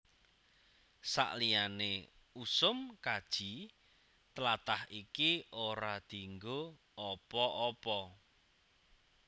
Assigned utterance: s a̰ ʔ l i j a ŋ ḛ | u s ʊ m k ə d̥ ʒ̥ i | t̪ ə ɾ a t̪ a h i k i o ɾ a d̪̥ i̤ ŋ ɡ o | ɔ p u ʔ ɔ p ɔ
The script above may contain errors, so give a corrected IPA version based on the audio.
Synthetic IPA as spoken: s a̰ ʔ l i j a n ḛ | u s ʊ m k a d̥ ʒ̥ i | t̪ ə l a t̪ a h i k i o ɾ a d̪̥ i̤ ŋ ɡ o | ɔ p ɔ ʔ ɔ p ɔ